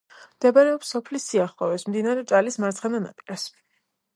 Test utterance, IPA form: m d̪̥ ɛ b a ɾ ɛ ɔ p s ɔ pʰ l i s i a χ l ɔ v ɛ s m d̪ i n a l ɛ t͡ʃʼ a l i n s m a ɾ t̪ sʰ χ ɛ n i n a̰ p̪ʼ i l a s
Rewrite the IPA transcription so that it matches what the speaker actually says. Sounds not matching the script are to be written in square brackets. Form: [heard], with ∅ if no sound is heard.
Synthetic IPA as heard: m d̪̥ ɛ b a ɾ ɛ ɔ p s ɔ pʰ l i s i a χ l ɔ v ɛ s m d̪ i n a [ɾ] ɛ t͡ʃʼ a l i [∅] s m a ɾ t̪ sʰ χ ɛ n [a] n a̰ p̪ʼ i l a s